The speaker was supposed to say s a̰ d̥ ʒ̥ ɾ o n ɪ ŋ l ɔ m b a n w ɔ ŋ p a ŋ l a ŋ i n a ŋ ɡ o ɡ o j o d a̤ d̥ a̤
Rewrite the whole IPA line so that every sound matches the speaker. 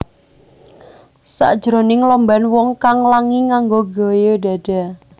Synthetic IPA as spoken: s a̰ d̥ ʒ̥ ɾ o n ɪ ŋ l ɔ m b a n w ɔ ŋ k a ŋ l a ŋ i ŋ a ŋ ɡ o ɡ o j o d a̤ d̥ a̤